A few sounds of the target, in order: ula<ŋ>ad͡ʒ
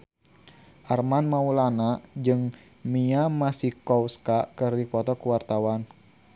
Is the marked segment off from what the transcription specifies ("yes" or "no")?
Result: yes